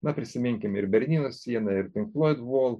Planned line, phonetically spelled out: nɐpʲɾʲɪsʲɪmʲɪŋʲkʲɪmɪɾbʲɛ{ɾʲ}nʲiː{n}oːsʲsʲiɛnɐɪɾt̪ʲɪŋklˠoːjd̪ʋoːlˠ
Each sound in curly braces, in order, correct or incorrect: correct, correct

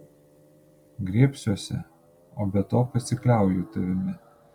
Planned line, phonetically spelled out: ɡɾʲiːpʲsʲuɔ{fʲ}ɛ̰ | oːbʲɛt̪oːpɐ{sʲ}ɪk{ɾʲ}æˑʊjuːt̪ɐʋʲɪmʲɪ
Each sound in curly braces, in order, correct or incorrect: incorrect: sʲ, correct, incorrect: lʲ

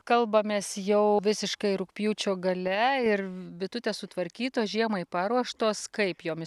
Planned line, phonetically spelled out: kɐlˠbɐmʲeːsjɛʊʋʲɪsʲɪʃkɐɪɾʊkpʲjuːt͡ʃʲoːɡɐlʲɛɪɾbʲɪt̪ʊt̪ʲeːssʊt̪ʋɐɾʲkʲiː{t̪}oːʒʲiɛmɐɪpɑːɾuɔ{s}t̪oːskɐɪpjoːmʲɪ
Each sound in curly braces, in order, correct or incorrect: correct, incorrect: ʃ

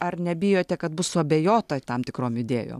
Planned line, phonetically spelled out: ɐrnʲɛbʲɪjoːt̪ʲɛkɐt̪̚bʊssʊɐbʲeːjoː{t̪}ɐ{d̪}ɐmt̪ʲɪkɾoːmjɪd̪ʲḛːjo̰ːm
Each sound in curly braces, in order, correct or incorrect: correct, incorrect: t̪

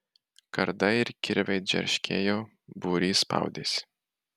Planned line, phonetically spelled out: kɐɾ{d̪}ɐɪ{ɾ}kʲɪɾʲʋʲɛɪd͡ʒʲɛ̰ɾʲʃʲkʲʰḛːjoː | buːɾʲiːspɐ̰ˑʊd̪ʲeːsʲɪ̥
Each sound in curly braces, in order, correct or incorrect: correct, correct

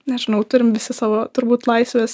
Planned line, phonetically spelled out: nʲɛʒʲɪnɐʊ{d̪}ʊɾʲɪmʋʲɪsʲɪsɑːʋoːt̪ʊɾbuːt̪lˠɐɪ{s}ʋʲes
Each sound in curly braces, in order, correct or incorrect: incorrect: t̪, correct

